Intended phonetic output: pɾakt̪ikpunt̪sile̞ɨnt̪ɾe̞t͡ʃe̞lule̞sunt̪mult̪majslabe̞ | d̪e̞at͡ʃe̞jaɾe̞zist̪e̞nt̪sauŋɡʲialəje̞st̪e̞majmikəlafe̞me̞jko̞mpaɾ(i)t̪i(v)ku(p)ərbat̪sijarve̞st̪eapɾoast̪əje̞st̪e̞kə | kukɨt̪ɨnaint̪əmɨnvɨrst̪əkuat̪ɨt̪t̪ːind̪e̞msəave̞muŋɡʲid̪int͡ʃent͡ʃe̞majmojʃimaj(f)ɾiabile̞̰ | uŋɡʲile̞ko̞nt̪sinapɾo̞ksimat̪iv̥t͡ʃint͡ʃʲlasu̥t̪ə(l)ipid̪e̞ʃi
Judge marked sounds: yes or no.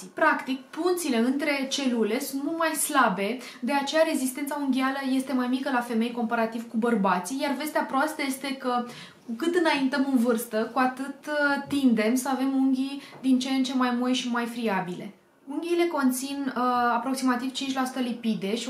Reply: no, yes, no, yes, yes

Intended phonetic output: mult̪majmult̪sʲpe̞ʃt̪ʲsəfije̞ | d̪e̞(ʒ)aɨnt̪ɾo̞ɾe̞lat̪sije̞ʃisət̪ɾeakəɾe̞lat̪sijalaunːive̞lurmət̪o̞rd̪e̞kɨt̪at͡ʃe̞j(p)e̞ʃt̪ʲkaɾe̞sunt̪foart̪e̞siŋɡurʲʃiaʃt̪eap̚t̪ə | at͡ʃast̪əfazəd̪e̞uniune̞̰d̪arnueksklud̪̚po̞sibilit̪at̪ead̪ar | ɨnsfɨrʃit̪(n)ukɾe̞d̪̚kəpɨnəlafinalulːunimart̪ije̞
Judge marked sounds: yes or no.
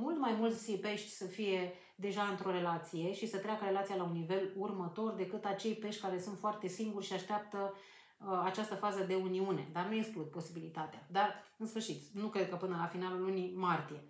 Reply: yes, yes, yes

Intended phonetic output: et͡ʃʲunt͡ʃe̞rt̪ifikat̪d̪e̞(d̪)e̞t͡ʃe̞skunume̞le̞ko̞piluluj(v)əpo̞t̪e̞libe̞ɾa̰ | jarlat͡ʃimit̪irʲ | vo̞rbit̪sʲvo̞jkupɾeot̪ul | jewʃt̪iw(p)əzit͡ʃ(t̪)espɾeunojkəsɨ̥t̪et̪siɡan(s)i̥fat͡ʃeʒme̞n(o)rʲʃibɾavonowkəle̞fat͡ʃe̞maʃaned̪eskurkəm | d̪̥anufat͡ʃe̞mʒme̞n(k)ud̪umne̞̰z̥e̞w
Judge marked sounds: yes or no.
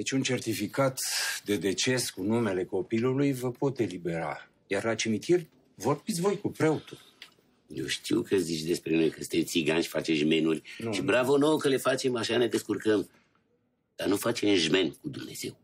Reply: yes, yes, no, no, no, no, yes

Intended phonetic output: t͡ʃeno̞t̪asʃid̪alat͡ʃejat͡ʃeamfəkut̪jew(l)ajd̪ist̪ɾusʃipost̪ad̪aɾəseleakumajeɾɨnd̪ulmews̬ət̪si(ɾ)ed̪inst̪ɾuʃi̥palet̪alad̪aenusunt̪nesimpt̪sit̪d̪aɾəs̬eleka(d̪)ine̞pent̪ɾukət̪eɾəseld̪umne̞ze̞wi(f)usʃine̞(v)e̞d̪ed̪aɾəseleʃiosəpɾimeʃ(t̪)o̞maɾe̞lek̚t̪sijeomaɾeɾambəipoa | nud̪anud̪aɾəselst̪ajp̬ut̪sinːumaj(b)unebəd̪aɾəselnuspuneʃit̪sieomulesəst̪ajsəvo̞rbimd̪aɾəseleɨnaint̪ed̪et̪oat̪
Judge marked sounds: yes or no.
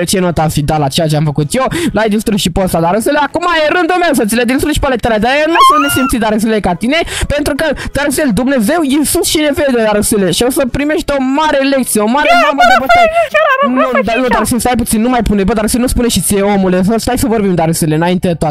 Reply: yes, no, no, no, yes, yes, no

